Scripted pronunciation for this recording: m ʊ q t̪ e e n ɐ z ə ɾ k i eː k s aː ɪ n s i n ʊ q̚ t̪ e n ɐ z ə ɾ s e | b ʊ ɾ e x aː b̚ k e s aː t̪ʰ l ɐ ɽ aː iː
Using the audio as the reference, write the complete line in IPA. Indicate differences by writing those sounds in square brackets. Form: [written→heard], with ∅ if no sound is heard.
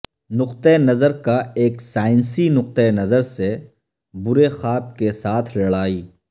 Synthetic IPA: [m→n] ʊ q t̪ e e n ɐ z ə ɾ k [i→a] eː k s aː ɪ n s i n ʊ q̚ t̪ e n ɐ z ə ɾ s e | b ʊ ɾ e x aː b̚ k e s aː t̪ʰ l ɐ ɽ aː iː